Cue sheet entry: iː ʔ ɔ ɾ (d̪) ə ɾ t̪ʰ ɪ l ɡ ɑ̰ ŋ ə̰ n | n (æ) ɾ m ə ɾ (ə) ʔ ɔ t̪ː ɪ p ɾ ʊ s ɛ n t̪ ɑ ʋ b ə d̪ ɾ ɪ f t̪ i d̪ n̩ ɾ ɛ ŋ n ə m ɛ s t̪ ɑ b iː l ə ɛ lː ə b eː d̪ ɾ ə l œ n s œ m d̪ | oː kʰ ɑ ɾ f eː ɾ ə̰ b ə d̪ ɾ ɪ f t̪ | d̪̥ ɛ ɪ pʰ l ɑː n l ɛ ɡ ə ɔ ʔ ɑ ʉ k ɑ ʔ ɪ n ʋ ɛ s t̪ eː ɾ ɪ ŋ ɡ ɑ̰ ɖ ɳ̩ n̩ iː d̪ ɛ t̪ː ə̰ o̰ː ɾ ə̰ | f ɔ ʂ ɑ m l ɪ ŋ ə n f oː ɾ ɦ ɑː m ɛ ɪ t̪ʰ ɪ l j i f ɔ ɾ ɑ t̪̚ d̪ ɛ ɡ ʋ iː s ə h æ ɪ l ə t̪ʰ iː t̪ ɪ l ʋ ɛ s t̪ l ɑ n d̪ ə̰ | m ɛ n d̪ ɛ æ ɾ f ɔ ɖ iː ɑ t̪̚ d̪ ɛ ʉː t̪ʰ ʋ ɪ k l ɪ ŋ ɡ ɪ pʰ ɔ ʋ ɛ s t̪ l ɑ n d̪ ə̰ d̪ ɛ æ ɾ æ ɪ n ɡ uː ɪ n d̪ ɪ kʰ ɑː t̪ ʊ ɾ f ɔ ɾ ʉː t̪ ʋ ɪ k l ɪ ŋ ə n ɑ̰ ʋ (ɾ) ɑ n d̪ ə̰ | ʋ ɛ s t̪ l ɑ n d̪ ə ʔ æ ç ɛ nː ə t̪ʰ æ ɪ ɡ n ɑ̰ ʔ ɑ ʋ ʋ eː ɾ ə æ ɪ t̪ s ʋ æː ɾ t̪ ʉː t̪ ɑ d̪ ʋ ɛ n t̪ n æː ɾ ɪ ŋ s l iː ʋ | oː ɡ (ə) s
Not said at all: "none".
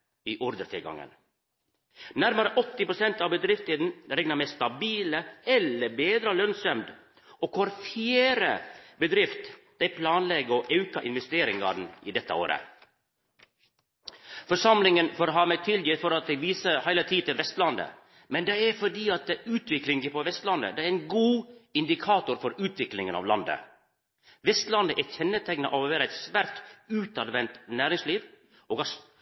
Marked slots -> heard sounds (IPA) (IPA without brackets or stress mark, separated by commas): d̪, æ, ə, l, ɑ